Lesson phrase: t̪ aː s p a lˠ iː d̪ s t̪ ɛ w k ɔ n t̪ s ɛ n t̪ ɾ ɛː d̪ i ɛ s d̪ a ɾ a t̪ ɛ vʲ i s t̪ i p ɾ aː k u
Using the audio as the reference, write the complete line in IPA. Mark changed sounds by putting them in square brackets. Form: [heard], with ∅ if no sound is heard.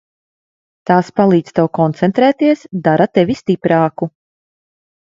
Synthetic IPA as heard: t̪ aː s p a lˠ iː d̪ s t̪ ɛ w k ɔ n t̪ s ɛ n t̪ ɾ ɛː [t̪] i ɛ s d̪ a ɾ a t̪ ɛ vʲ i s t̪ i p ɾ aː k u